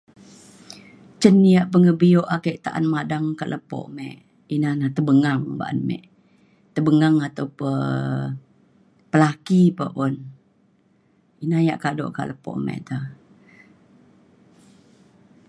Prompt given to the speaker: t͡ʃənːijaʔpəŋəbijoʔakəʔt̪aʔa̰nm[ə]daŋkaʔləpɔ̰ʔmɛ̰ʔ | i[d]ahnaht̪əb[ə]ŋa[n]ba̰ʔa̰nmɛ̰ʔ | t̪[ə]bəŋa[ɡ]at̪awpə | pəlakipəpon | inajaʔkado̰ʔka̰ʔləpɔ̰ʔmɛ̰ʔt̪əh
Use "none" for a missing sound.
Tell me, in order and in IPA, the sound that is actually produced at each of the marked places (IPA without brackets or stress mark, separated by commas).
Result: a, n, ə, ŋ, ə, ŋ